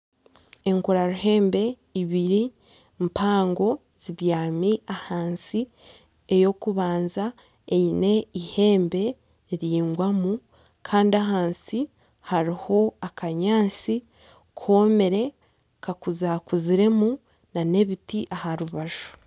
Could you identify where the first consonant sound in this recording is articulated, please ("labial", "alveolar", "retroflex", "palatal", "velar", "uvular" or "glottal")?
velar